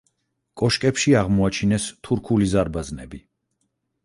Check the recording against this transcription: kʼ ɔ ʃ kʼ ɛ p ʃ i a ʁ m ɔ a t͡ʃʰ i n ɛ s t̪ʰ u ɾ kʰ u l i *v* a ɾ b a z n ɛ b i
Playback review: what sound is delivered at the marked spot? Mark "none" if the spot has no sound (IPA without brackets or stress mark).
z